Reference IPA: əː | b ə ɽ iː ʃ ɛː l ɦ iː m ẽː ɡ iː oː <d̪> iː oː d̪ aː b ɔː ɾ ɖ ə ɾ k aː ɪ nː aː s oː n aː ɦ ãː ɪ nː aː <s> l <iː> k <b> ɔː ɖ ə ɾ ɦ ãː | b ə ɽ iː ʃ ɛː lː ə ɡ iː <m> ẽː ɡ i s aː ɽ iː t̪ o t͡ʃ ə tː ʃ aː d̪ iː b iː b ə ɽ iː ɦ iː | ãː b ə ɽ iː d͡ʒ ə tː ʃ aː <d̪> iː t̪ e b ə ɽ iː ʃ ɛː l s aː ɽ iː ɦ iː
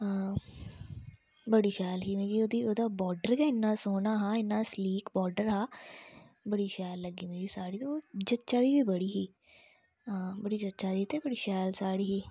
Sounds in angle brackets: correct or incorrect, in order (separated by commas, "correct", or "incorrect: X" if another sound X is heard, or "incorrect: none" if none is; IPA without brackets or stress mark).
correct, correct, correct, correct, correct, correct